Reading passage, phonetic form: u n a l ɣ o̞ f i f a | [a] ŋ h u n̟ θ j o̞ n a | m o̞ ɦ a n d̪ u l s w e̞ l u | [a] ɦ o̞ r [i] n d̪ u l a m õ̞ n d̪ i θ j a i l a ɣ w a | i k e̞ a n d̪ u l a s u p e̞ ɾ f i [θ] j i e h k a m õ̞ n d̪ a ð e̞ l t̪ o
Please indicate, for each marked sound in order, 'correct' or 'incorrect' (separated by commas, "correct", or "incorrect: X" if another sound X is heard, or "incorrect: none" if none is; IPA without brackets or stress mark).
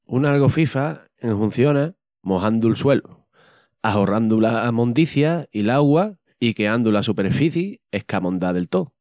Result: incorrect: e, correct, incorrect: a, correct